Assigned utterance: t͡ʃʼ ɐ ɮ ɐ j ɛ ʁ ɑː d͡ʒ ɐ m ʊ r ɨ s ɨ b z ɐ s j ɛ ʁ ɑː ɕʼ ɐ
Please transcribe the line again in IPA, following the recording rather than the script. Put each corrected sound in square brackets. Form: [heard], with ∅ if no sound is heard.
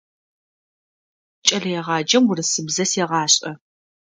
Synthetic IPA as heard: t͡ʃʼ ɐ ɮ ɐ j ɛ ʁ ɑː d͡ʒ ɐ m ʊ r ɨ s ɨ b z ɐ s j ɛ ʁ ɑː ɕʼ ɐ

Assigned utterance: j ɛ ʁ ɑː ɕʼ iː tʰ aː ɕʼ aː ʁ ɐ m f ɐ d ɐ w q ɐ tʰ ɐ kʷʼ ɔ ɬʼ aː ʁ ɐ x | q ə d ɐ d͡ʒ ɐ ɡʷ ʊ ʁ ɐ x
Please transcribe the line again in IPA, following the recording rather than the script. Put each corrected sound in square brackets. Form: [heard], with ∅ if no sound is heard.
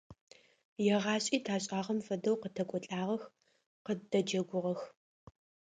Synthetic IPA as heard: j ɛ ʁ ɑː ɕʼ iː tʰ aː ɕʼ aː ʁ ɐ m f ɐ d ɐ w q [ə] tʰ ɐ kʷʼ ɔ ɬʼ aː ʁ ɐ x | q ə d ɐ d͡ʒ ɐ ɡʷ ʊ ʁ ɐ x

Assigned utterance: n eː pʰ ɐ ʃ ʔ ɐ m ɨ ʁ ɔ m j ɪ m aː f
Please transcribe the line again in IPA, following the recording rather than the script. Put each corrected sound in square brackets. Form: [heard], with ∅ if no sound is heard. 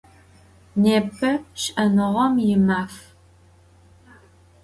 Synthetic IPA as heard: n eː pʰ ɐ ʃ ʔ ɐ [n] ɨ ʁ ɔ m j ɪ m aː f

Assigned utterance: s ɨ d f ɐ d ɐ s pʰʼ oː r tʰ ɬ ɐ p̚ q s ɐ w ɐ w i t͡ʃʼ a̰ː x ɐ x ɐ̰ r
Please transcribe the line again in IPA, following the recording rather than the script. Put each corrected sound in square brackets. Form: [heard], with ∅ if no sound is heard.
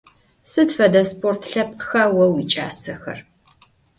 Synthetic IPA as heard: s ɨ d f ɐ d ɐ s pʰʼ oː r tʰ ɬ ɐ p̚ q [x] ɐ w ɐ w i t͡ʃʼ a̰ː [s] ɐ x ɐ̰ r

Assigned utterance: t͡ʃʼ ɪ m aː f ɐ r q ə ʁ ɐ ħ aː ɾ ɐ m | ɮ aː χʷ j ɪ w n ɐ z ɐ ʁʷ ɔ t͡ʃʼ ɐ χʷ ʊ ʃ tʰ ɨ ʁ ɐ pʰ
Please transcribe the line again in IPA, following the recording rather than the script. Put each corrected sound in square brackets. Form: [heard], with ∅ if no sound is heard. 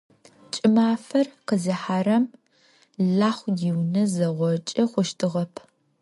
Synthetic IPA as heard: t͡ʃʼ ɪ m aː f ɐ r q ə [z] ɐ ħ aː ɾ ɐ m | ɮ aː χʷ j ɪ w n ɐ z ɐ ʁʷ ɔ t͡ʃʼ ɐ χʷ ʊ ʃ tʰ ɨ ʁ ɐ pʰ

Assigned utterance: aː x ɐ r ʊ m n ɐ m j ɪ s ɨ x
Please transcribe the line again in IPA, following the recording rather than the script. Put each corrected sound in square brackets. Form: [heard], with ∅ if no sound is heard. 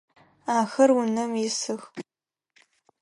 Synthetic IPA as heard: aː x ɐ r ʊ [∅] n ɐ m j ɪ s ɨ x

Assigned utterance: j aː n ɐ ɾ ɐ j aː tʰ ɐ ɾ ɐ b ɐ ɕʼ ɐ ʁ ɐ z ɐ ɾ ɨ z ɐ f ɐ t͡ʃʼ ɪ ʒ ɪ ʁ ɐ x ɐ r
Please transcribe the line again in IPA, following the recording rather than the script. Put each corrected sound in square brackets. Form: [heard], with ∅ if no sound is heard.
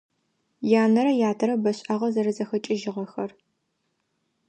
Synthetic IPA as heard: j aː n ɐ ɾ ɐ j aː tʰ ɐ ɾ ɐ b ɐ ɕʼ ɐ ʁ ɐ z ɐ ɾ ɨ z ɐ [x] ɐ t͡ʃʼ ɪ ʒ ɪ ʁ ɐ x ɐ r

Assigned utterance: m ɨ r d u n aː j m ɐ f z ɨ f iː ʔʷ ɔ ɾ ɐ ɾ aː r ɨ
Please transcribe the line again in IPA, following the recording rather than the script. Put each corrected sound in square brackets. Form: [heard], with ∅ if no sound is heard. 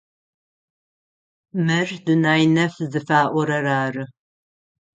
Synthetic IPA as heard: m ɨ r d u n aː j [n] ɐ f z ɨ f [aː] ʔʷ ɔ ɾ ɐ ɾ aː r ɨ

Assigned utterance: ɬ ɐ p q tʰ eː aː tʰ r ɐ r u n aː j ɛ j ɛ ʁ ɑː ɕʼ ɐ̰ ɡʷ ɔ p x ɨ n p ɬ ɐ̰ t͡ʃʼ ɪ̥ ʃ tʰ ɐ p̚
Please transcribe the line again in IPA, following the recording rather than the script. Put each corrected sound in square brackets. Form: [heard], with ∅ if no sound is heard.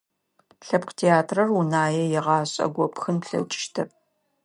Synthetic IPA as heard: ɬ ɐ p q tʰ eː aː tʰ r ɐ r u n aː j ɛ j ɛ ʁ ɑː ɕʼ ɐ̰ ɡʷ ɔ p x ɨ n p ɬ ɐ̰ t͡ʃʼ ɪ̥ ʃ tʰ ɐ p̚

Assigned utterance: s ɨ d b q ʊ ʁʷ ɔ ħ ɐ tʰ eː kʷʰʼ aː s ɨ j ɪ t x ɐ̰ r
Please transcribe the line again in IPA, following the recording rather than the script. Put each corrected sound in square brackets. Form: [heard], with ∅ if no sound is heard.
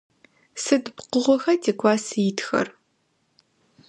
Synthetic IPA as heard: s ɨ d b q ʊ ʁʷ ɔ [x] ɐ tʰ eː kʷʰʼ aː s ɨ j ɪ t x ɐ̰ r

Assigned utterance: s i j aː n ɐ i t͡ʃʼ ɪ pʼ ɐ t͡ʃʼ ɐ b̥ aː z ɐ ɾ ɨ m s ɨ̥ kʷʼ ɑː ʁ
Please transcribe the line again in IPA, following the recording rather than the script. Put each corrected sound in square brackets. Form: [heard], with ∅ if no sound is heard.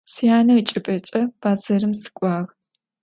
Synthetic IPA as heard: s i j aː n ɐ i t͡ʃʼ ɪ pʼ ɐ t͡ʃʼ ɐ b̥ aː z ɐ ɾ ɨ m s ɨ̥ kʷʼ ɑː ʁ

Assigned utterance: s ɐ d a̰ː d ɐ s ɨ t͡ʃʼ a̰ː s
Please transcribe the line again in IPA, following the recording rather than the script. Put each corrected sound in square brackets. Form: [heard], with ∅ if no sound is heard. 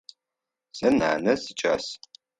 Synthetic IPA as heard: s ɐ [n] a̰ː [n] ɐ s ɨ t͡ʃʼ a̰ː s

